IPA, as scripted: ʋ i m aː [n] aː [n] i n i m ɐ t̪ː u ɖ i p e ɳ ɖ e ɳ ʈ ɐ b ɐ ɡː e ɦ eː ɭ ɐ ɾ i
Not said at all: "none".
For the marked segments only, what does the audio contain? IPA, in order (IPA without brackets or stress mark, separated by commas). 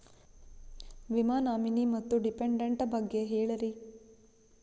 n, m